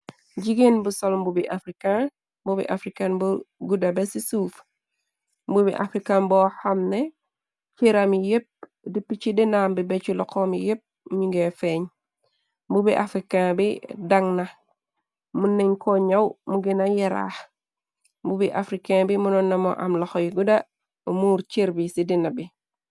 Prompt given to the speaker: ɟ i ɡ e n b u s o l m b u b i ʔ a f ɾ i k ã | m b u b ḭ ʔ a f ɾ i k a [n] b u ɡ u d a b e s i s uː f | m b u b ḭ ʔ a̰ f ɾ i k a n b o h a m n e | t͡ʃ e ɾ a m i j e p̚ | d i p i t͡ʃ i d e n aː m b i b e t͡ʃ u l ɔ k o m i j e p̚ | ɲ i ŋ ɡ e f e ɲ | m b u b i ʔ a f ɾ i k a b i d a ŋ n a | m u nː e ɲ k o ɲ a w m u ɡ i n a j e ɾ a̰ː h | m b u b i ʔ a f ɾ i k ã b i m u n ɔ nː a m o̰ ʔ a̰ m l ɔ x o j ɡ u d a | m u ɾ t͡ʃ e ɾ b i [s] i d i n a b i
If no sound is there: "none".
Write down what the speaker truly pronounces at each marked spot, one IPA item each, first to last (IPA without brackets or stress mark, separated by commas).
n, s